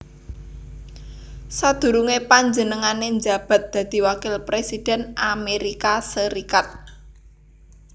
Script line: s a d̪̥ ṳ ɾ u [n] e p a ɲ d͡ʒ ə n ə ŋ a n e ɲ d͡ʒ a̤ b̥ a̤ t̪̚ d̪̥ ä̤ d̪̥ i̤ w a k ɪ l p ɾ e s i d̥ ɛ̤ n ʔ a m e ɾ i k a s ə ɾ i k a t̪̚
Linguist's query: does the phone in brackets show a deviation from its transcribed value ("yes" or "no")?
yes